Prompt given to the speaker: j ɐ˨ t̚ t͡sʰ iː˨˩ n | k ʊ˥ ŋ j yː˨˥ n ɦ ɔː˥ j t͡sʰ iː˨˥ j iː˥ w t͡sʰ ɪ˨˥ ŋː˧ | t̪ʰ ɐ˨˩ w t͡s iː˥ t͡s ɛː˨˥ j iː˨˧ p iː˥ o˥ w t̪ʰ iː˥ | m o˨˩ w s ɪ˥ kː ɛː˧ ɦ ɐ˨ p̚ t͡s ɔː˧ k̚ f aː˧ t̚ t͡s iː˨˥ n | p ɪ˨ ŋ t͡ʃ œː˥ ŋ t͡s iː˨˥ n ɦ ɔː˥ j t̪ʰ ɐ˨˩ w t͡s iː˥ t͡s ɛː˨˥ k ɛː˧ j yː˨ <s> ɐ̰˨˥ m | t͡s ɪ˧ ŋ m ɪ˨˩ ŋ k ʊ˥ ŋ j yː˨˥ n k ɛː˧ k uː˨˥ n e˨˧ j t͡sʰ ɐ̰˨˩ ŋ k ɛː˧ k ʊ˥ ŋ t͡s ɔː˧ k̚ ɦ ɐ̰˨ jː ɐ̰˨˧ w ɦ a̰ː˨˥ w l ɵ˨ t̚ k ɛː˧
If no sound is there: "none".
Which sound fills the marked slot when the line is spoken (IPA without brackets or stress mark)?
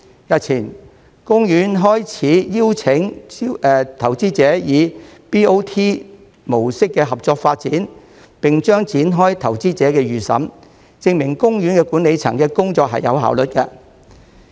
s